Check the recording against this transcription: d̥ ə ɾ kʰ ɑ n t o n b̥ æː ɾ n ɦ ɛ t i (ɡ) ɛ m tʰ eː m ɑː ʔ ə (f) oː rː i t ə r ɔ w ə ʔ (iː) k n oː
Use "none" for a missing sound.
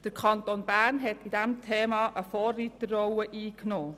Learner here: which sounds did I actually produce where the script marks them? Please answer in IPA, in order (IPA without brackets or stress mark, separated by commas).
d, f, iː